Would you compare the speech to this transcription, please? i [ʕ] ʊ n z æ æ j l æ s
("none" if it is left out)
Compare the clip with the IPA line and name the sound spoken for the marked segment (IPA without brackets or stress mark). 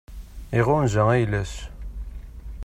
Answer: ʁ